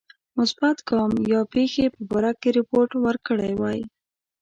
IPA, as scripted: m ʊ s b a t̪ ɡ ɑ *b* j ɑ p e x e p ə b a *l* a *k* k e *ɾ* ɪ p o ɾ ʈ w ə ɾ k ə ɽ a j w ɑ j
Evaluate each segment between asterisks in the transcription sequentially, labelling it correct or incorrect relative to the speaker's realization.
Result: incorrect: m, incorrect: ɾ, correct, correct

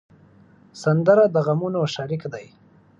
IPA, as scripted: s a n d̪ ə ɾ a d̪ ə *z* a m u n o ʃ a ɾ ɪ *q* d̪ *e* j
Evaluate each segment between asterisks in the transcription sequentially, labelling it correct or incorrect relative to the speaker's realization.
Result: incorrect: ɣ, incorrect: k, incorrect: a

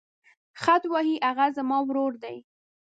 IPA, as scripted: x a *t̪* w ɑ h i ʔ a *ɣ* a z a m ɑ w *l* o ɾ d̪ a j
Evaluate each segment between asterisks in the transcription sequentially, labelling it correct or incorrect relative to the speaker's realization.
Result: correct, correct, incorrect: ɾ

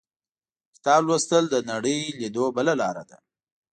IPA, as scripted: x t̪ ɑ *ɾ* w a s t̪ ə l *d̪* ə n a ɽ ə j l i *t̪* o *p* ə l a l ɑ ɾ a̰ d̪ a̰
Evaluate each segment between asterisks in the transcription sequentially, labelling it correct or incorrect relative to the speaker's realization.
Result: incorrect: l, correct, incorrect: d̪, incorrect: b

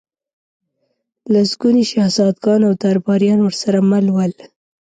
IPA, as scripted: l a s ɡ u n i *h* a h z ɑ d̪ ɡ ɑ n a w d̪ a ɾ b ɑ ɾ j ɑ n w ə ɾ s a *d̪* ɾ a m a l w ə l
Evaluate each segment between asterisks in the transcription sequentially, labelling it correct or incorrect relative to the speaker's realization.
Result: incorrect: ʃ, incorrect: none

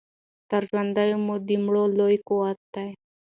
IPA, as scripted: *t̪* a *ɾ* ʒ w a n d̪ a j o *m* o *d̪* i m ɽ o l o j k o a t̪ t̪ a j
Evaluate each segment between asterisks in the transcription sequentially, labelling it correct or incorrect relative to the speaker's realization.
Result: correct, correct, correct, correct

